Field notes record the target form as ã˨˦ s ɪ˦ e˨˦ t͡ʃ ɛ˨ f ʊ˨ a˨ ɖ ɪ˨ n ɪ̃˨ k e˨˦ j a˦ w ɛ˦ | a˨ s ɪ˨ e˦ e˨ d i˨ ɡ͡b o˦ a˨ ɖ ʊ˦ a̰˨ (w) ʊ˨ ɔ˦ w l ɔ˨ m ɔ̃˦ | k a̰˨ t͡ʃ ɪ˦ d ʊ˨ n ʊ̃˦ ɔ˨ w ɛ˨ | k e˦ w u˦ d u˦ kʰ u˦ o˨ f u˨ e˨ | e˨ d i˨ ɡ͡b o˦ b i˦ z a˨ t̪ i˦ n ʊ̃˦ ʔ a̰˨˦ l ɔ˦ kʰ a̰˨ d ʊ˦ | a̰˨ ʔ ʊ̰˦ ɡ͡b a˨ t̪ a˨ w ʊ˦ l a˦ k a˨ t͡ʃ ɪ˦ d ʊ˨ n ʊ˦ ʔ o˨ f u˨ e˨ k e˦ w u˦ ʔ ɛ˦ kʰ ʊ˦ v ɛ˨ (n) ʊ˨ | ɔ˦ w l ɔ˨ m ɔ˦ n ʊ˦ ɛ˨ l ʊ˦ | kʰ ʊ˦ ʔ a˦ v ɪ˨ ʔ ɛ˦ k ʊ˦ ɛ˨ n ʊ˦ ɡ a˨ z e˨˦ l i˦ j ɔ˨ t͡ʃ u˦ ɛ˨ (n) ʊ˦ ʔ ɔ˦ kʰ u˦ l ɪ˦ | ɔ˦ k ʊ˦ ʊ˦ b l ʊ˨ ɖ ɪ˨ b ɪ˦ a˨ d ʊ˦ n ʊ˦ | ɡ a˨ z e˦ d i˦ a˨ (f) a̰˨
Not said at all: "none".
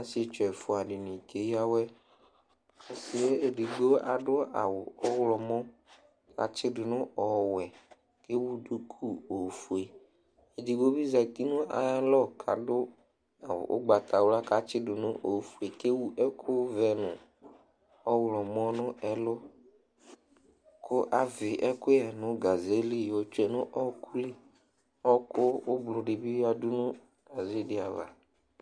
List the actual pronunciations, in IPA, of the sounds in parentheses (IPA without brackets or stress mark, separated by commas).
w, n, n, v